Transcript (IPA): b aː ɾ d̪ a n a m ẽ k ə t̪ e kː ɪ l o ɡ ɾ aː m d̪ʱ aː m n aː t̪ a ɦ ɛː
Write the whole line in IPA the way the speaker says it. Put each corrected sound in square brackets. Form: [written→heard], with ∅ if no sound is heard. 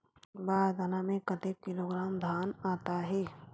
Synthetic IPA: b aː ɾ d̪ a n a m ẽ k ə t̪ e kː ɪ l o ɡ ɾ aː m d̪ʱ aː [m→∅] n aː t̪ a ɦ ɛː